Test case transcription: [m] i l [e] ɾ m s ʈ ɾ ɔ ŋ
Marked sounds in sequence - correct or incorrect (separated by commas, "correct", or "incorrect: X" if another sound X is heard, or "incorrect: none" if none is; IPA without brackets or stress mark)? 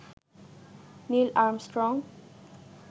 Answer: incorrect: n, incorrect: a